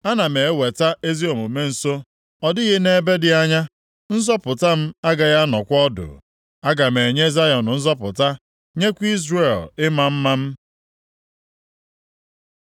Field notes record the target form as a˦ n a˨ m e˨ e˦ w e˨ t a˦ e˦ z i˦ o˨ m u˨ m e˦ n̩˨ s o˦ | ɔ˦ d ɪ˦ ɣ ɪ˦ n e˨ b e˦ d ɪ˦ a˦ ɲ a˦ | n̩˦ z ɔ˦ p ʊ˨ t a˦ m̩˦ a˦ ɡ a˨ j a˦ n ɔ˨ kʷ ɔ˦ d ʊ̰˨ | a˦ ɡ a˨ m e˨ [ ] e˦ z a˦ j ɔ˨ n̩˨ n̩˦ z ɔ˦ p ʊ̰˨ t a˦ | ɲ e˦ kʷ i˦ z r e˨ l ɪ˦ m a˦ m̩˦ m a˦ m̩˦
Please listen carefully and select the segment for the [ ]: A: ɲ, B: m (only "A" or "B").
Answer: A